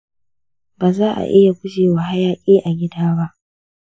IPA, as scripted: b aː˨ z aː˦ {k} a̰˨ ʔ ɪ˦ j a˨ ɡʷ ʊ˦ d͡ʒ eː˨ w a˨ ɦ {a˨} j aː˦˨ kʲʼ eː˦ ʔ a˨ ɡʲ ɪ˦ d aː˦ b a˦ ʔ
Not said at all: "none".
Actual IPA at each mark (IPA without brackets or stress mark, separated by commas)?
ʔ, a˦